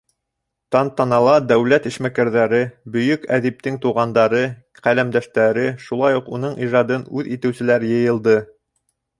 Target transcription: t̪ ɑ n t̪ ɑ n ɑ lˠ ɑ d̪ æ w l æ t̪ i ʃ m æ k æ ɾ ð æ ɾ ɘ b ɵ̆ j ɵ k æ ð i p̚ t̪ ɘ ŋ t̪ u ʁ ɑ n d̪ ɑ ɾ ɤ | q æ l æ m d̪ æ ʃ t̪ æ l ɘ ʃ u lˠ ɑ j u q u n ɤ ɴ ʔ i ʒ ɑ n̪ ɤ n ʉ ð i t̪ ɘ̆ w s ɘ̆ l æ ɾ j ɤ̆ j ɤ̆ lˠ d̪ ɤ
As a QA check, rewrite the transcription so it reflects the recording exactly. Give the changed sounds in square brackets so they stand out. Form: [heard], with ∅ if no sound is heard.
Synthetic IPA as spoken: t̪ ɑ n t̪ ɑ n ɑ lˠ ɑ d̪ æ w l æ t̪ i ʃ m æ k æ ɾ ð æ ɾ ɘ b ɵ̆ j ɵ k æ ð i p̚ t̪ ɘ ŋ t̪ u ʁ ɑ n d̪ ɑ ɾ ɤ | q æ l æ m d̪ æ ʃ t̪ æ [ɾ] ɘ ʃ u lˠ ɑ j u q u n ɤ ɴ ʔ i ʒ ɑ [d̪] ɤ n ʉ ð i t̪ ɘ̆ w s ɘ̆ l æ ɾ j ɤ̆ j ɤ̆ lˠ d̪ ɤ